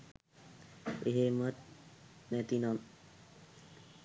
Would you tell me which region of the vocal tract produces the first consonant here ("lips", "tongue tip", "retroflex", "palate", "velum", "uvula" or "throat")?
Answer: throat